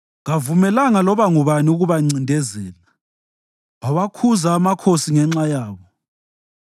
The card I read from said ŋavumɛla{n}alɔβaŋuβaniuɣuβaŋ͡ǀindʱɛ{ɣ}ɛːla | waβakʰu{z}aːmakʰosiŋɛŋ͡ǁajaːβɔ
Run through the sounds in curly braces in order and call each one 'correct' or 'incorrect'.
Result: incorrect, incorrect, correct

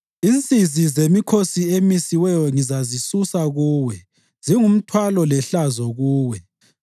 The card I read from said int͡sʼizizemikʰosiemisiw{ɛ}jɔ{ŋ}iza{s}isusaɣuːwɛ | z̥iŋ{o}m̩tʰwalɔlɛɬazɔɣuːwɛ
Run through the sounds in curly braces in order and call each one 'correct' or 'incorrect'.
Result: correct, correct, incorrect, incorrect

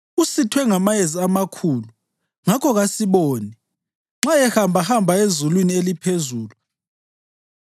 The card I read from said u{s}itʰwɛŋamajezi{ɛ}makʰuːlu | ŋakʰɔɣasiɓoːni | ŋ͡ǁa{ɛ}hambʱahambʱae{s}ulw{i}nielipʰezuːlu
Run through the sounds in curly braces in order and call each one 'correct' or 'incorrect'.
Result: correct, incorrect, correct, incorrect, correct

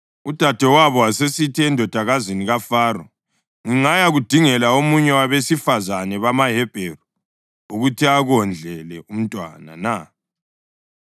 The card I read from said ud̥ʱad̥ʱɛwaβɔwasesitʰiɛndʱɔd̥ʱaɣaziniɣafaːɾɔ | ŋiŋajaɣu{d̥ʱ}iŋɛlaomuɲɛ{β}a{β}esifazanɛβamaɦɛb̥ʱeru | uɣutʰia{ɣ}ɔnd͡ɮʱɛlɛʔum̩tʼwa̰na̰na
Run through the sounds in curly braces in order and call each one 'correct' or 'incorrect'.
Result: correct, incorrect, correct, correct

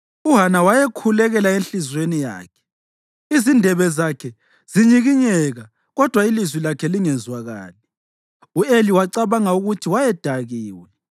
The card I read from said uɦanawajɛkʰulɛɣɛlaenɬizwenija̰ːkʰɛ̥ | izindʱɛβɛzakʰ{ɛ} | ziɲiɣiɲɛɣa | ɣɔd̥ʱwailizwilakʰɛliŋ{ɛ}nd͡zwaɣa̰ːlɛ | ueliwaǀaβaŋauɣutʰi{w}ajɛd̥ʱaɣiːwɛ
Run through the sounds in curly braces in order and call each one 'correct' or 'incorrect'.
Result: correct, correct, correct

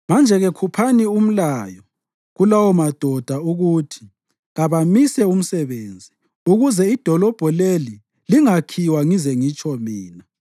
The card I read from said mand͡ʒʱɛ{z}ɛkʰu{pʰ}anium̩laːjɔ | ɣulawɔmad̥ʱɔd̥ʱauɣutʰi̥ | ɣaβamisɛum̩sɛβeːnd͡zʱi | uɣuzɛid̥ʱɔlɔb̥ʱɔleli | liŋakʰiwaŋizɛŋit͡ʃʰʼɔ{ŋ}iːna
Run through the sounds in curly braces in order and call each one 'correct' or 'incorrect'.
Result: incorrect, correct, incorrect

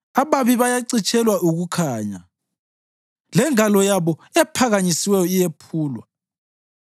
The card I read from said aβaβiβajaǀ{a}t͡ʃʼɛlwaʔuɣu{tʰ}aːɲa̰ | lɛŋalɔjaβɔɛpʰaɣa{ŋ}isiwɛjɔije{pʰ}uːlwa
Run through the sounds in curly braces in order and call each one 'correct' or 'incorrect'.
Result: incorrect, incorrect, incorrect, correct

